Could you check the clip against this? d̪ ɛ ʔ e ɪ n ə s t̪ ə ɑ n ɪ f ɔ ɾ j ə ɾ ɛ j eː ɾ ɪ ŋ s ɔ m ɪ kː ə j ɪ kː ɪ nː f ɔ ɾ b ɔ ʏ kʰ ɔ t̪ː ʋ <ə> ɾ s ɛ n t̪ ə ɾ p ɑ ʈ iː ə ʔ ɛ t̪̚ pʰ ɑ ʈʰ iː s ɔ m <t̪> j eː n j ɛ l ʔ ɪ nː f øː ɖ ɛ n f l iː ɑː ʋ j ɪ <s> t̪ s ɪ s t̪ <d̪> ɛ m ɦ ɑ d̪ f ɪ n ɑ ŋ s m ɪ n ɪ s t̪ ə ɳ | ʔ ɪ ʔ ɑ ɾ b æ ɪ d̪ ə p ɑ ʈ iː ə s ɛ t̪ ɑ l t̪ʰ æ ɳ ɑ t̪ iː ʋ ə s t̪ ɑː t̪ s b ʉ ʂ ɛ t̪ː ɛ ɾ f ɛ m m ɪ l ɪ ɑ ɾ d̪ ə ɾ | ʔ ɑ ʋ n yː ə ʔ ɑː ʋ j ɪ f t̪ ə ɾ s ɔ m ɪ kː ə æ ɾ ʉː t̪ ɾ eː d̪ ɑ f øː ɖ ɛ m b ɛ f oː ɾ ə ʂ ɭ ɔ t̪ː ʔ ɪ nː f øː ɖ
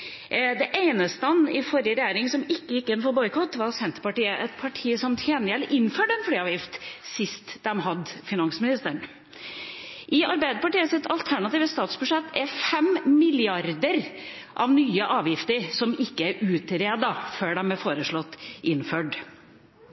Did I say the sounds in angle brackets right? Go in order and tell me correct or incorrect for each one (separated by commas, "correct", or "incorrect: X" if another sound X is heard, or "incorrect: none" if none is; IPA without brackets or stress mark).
incorrect: ɑ, incorrect: t̪ʰ, incorrect: f, correct